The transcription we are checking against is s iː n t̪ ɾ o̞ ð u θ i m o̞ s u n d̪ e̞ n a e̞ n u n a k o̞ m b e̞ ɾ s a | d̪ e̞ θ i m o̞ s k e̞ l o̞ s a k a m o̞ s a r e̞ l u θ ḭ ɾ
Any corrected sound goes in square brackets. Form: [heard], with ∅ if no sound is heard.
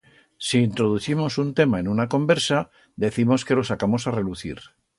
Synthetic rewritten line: s iː n t̪ ɾ o̞ ð u θ i m o̞ s u n [t̪] e̞ [m] a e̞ n u n a k o̞ m b e̞ ɾ s a | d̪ e̞ θ i m o̞ s k e̞ l o̞ s a k a m o̞ s a r e̞ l u θ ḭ ɾ